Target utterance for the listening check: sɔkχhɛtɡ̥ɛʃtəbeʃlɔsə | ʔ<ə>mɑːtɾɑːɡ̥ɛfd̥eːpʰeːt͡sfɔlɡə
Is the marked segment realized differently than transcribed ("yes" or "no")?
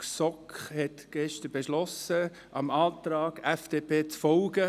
yes